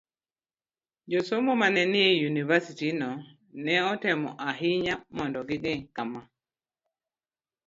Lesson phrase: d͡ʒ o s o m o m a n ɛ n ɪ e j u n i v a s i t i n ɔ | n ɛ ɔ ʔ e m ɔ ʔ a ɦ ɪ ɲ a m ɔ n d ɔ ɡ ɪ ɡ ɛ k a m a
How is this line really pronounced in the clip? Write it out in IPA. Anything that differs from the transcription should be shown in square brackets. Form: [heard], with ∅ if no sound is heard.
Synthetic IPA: d͡ʒ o s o m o m a n ɛ n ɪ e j u n i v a s i t i n ɔ | n ɛ ɔ [t] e m ɔ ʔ a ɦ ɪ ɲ a m ɔ n d ɔ ɡ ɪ ɡ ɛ k a m a